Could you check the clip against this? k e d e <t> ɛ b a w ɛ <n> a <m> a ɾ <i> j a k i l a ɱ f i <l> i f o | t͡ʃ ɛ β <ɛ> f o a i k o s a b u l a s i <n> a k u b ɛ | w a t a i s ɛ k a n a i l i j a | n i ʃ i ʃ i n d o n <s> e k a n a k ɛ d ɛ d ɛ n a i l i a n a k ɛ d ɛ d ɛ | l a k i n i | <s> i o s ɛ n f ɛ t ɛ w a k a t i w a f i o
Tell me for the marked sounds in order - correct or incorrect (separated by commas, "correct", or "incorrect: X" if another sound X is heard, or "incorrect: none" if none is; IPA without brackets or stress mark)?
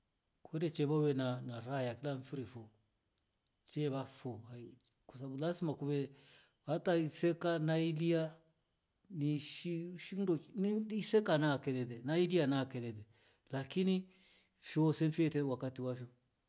incorrect: t͡ʃ, correct, incorrect: n, incorrect: a, incorrect: ɾ, incorrect: a, incorrect: m, correct, incorrect: f